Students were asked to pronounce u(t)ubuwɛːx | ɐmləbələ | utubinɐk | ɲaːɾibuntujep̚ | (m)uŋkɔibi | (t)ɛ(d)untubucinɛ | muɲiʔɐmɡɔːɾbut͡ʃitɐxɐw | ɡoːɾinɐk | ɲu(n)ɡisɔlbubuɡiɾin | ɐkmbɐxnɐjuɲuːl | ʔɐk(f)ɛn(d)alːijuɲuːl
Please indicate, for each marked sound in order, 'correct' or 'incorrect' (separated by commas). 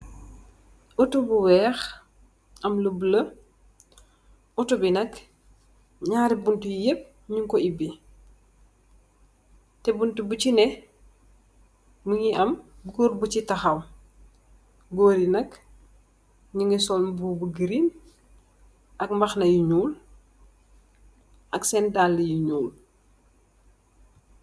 correct, incorrect, correct, incorrect, incorrect, incorrect, correct